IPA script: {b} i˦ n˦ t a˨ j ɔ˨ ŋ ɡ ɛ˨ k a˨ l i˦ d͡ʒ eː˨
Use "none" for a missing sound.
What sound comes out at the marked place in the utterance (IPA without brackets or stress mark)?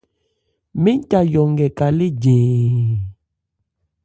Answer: m